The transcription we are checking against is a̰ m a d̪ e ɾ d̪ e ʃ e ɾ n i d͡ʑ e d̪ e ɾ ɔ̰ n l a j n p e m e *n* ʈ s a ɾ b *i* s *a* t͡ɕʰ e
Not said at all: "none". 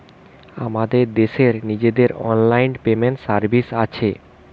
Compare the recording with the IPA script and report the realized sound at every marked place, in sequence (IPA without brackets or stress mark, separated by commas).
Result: n, i, a